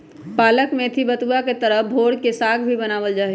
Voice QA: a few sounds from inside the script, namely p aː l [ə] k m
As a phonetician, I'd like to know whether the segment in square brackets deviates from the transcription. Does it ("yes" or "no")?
no